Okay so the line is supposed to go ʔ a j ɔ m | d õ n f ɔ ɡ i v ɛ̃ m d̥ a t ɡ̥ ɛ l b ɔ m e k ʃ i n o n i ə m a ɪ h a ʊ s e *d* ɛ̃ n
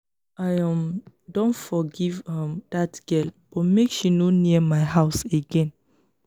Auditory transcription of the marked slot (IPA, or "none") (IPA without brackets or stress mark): ɡ